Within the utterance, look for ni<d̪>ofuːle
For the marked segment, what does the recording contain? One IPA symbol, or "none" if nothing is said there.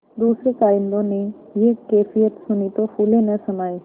t̪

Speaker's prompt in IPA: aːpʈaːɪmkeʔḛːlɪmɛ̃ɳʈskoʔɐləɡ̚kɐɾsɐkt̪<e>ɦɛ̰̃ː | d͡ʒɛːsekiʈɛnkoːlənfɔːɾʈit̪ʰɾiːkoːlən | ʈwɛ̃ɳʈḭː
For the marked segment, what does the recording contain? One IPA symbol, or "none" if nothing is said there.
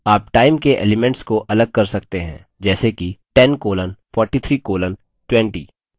e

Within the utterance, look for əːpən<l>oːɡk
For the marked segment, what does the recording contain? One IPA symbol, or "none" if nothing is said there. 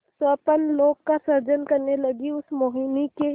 l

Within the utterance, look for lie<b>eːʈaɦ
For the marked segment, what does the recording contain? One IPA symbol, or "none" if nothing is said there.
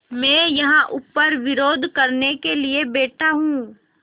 b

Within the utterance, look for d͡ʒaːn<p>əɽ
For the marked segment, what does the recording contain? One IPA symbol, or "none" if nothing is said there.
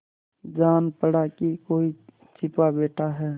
p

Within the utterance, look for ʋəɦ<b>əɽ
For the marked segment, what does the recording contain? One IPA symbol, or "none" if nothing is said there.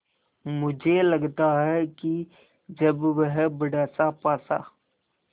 b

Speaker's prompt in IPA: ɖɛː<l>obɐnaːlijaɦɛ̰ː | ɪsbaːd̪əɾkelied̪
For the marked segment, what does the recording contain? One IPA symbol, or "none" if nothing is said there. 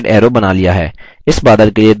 ɾ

